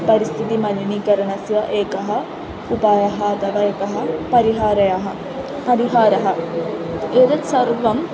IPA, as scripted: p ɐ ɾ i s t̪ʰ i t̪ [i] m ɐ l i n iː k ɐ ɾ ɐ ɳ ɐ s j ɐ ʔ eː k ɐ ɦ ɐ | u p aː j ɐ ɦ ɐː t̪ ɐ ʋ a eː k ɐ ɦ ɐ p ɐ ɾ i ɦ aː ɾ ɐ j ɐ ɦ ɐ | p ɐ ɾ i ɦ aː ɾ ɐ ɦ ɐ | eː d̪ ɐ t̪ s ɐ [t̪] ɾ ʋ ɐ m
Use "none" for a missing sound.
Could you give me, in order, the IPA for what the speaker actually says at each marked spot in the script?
i, none

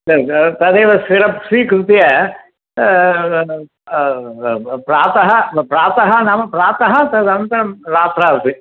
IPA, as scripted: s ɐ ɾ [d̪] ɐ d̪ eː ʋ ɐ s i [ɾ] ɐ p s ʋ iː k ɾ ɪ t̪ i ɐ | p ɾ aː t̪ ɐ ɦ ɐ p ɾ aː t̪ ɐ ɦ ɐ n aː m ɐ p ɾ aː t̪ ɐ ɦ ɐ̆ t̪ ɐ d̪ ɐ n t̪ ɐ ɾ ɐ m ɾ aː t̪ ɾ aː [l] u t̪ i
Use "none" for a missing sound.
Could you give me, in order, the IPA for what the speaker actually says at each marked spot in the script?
t̪, ɾ, ɾ

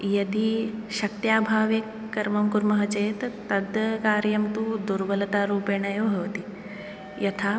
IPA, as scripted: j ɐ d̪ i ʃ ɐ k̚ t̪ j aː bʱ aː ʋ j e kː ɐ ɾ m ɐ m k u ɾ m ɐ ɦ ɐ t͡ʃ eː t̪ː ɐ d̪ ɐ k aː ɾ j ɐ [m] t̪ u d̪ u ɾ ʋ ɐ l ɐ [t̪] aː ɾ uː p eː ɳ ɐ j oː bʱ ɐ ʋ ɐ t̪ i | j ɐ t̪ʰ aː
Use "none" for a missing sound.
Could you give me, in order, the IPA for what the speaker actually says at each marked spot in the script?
m, t̪

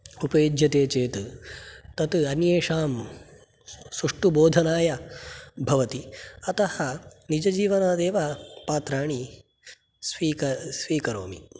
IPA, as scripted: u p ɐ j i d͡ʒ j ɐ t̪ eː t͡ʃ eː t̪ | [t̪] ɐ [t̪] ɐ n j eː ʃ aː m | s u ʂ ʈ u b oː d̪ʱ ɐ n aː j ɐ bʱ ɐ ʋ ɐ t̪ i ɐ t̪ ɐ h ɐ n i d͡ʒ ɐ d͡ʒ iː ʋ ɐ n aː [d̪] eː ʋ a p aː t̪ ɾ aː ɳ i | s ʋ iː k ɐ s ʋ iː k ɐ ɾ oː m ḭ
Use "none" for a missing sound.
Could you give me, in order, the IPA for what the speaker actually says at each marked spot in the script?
t̪, t̪, d̪

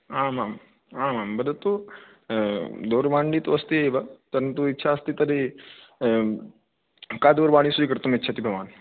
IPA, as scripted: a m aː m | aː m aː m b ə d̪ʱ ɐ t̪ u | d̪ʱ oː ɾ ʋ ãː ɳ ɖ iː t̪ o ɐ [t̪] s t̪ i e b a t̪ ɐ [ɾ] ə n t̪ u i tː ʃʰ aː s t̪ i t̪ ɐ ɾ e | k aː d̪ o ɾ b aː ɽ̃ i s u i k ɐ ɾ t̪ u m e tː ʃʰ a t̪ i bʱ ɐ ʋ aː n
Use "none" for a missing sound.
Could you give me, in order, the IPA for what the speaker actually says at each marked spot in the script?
none, ɾ

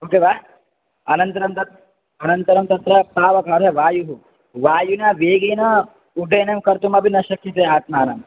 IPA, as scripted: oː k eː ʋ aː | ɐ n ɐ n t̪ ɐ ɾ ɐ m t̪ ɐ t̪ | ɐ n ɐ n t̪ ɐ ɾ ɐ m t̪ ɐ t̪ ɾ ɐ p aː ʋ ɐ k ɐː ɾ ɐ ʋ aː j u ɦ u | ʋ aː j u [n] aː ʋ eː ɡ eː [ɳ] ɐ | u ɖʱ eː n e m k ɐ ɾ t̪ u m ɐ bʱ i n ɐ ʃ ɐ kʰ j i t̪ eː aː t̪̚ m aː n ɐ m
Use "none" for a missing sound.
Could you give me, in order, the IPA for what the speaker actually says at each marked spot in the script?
n, n

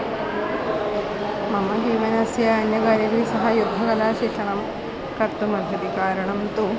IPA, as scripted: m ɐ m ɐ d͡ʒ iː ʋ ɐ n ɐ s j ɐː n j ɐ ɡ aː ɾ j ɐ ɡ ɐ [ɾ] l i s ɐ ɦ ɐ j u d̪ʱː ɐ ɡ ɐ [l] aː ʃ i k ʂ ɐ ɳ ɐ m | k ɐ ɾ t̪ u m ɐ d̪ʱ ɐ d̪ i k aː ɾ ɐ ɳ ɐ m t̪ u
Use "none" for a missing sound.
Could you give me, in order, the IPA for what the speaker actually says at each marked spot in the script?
none, l

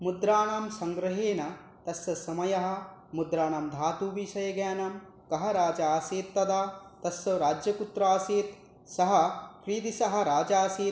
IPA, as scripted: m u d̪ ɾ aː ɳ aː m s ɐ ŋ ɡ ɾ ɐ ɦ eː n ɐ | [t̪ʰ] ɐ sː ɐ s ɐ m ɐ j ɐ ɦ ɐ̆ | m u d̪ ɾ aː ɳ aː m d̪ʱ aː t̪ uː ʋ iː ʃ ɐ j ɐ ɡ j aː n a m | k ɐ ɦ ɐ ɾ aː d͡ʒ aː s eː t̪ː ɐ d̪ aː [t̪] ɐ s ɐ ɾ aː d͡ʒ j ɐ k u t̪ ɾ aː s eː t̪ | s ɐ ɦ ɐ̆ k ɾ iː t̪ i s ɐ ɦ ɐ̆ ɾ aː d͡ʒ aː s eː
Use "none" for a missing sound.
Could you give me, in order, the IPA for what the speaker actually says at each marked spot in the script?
t̪, t̪

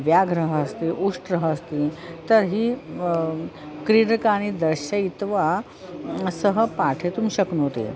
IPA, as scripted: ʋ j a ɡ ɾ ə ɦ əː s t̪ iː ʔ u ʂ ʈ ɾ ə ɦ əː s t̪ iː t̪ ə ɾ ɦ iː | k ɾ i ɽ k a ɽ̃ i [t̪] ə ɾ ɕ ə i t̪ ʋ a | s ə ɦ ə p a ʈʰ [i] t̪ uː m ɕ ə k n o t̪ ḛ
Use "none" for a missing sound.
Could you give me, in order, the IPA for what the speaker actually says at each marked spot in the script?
d̪, e

